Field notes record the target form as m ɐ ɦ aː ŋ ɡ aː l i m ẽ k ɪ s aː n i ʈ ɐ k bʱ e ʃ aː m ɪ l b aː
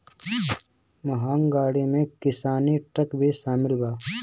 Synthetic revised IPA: m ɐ ɦ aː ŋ ɡ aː ɽ i m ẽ k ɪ s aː n i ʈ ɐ k bʱ i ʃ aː m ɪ l b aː